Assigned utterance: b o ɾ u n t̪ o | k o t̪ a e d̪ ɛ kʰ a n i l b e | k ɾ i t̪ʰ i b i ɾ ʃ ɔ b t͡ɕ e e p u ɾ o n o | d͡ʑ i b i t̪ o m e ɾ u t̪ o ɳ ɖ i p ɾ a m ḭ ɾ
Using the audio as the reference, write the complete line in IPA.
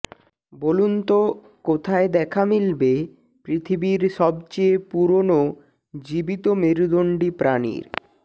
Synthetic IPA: b o l u n t̪ o | k o t̪ʰ a e d̪ ɛ kʰ a m i l b e | p ɾ i t̪ʰ i b i ɾ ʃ ɔ b t͡ɕ e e p u ɾ o n o | d͡ʑ i b i t̪ o m e ɾ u d̪ o ɳ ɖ i p ɾ a n ḭ ɾ